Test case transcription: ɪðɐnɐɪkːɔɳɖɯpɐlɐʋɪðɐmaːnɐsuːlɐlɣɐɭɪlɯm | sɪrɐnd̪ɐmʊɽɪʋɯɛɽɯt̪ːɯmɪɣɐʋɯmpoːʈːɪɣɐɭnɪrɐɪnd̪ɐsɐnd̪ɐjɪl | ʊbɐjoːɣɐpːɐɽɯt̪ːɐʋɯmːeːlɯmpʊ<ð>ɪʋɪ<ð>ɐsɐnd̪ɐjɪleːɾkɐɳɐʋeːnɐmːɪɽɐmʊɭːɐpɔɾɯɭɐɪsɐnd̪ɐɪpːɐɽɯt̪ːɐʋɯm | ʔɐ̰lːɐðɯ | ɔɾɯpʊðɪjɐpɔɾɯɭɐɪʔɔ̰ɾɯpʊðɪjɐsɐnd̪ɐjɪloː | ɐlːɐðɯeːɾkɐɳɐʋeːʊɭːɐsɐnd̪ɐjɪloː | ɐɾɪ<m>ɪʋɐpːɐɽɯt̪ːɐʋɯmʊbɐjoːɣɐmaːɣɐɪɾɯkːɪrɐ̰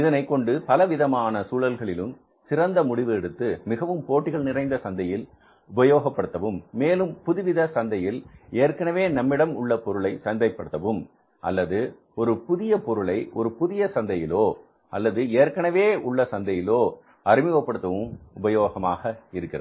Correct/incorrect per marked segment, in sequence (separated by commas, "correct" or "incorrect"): correct, correct, correct